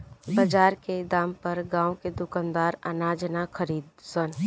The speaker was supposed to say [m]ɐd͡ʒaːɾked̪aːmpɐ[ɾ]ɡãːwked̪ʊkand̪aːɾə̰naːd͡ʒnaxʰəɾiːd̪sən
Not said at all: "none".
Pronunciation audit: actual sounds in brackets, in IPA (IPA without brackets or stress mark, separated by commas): b, ɾ